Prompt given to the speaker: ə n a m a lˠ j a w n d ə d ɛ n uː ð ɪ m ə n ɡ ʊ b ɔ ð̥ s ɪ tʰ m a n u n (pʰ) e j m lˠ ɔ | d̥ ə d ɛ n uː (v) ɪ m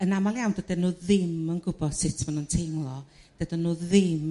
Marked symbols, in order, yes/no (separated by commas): no, no